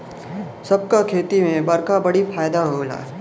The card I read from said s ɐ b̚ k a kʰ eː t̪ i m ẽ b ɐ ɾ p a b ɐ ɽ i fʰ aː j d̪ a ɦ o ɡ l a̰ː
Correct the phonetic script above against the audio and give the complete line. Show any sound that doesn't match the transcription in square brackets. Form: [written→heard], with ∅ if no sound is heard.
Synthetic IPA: s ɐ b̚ k a kʰ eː t̪ i m ẽ b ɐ ɾ [p→k] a b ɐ ɽ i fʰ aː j d̪ a ɦ o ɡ l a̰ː

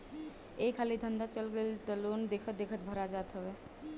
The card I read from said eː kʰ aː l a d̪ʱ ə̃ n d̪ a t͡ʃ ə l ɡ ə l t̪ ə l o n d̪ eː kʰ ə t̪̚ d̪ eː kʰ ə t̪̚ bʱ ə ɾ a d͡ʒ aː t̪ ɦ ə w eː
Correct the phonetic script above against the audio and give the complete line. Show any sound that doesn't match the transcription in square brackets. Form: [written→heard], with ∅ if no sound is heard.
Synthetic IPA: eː kʰ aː l [a→i] d̪ʱ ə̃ n d̪ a t͡ʃ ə l ɡ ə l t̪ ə l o n d̪ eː kʰ ə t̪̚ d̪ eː kʰ ə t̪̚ bʱ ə ɾ a d͡ʒ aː t̪ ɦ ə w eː

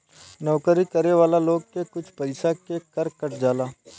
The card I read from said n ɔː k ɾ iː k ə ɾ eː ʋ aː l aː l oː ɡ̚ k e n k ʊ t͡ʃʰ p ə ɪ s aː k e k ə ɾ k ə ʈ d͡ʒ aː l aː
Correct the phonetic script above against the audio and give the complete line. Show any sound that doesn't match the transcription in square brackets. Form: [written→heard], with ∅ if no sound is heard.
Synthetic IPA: n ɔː k ɾ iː k ə ɾ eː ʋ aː l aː l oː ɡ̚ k e [n→∅] k ʊ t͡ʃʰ p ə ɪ s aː k e k ə ɾ k ə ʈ d͡ʒ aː l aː

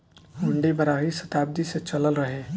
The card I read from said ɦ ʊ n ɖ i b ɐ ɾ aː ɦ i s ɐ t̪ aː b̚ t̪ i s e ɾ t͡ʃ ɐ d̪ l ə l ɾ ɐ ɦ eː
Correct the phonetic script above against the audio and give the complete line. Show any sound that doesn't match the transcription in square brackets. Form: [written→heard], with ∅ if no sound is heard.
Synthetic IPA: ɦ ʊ [n→ɳ] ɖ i b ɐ ɾ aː ɦ i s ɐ t̪ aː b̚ [t̪→d̪] i s e [ɾ→∅] t͡ʃ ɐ [d̪→∅] l ə l ɾ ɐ ɦ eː

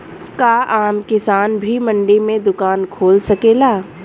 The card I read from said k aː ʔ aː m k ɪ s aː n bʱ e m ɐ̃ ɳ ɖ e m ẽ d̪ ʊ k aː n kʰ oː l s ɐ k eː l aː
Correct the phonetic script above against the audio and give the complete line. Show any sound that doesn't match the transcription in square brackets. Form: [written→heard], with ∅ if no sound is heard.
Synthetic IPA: k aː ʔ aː m k ɪ s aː n bʱ [e→i] m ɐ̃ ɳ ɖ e m ẽ d̪ ʊ k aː n kʰ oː l s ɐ k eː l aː

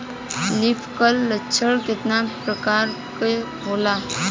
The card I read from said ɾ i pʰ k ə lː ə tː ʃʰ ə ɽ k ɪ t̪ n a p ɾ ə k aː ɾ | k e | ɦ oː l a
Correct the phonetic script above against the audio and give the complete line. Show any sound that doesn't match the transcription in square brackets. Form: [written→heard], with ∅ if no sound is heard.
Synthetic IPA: [ɾ→l] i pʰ k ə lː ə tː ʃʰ ə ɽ k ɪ t̪ n a p ɾ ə k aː ɾ | k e | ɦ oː l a

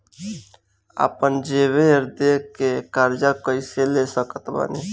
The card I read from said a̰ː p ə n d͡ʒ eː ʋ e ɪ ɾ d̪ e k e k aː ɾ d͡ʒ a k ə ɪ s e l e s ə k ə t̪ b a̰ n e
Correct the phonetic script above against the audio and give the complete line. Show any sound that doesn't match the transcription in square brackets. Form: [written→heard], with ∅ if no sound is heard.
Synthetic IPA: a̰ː p ə n d͡ʒ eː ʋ e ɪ ɾ d̪ e k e k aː ɾ d͡ʒ a k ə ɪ s e l e s ə k ə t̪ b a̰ n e

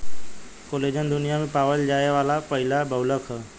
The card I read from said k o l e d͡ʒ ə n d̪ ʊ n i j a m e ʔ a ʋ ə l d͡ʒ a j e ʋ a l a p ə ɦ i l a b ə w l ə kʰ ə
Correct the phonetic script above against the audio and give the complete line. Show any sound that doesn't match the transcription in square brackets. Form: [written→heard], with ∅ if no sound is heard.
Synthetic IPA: k o l e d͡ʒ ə n d̪ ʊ n i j a m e [ʔ→p] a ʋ ə l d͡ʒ a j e ʋ a l a p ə ɦ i l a b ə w l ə kʰ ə

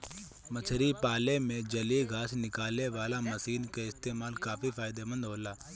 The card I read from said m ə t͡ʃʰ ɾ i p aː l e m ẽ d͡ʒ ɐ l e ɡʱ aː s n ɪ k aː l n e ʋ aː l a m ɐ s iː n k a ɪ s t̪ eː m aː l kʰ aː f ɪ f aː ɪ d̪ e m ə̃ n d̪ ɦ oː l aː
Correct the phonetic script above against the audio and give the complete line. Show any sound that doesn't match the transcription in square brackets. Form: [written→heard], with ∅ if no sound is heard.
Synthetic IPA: m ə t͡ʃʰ ɾ i p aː l e m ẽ d͡ʒ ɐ l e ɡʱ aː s n ɪ k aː l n e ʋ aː l a m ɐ s iː n k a ɪ s t̪ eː m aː l [kʰ→k] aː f [ɪ→i] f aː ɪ d̪ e m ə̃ n d̪ ɦ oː l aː

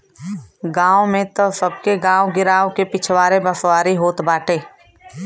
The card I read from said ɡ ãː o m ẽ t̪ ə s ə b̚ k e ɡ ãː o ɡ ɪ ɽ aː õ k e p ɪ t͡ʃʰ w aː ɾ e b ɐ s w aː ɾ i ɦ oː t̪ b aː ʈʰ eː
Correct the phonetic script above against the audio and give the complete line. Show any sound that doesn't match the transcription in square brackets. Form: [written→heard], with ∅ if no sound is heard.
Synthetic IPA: ɡ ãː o m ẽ t̪ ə s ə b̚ k e ɡ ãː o ɡ ɪ [ɽ→ɾ] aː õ k e p ɪ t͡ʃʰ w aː ɾ e b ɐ s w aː ɾ i ɦ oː t̪ b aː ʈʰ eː

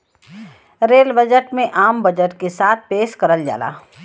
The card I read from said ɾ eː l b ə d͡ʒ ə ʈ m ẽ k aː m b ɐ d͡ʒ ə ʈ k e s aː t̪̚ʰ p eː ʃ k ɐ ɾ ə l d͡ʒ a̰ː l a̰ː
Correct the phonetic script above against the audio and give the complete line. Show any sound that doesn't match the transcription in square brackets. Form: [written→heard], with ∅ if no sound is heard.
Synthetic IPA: ɾ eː l b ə d͡ʒ ə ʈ m ẽ [k→ʔ] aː m b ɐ d͡ʒ ə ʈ k e s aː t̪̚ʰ p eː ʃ k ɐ ɾ ə l d͡ʒ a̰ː l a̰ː

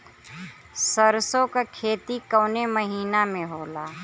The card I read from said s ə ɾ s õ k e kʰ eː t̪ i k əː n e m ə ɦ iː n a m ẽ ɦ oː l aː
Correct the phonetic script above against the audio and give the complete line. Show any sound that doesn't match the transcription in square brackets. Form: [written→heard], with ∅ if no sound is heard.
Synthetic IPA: s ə ɾ s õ k [e→a] kʰ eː t̪ i k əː n e m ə ɦ iː n a m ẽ ɦ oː l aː

